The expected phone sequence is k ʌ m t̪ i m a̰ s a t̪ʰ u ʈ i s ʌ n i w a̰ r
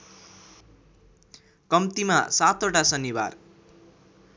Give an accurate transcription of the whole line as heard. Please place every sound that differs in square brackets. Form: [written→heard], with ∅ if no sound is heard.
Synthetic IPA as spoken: k ʌ m t̪ i m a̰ s a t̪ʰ [u→o] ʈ [i→a] s ʌ n i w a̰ r